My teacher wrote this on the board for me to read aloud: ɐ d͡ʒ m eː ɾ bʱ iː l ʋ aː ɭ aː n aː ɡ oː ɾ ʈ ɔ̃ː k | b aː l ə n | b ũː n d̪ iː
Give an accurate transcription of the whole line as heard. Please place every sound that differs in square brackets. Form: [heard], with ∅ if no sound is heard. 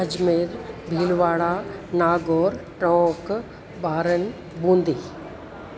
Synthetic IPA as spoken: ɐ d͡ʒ m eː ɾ bʱ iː l ʋ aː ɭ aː n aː ɡ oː ɾ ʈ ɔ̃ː k | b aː [ɾ] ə n | b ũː n d̪ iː